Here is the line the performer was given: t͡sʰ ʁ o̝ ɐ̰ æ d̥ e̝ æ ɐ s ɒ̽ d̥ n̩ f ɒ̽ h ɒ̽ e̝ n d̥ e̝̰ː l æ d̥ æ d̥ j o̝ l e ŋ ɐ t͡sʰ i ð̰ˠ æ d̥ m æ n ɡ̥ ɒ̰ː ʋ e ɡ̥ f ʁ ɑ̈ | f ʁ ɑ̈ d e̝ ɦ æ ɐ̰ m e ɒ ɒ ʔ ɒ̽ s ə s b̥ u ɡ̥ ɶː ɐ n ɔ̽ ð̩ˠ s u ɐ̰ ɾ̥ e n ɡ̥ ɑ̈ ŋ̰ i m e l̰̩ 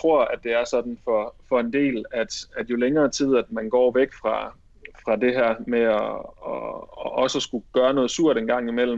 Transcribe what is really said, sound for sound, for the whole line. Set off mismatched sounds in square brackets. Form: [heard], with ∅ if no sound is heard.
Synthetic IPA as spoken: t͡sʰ ʁ o̝ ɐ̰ æ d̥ e̝ æ ɐ s ɒ̽ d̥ n̩ f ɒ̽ [f] ɒ̽ e̝ n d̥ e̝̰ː l æ d̥ æ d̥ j o̝ l e ŋ [ɐː] t͡sʰ i ð̰ˠ æ d̥ m æ n ɡ̥ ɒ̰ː ʋ e ɡ̥ f ʁ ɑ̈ | f ʁ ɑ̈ d e̝ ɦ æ ɐ̰ m e ɒ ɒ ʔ ɒ̽ s ə s [ɡ̥] u ɡ̥ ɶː ɐ n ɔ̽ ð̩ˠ s u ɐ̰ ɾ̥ e n ɡ̥ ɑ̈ ŋ̰ i m e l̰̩